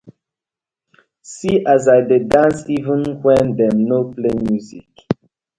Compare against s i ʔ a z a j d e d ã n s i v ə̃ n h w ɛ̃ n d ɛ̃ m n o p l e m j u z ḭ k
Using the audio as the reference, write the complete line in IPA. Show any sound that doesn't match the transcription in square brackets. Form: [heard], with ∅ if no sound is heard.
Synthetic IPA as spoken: s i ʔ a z a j d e d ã n s i v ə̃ n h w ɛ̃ n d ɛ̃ m n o p l e m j u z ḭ k